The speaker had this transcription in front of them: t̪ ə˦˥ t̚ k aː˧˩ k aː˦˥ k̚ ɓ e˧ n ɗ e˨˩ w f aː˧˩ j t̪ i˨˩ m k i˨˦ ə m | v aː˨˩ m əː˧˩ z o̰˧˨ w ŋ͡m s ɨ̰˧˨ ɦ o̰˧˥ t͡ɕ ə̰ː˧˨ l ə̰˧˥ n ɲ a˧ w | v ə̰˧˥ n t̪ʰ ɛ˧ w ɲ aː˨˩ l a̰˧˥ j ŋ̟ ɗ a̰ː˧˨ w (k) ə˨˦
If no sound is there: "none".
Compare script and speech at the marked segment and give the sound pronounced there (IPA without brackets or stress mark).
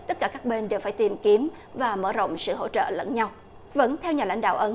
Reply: ʔ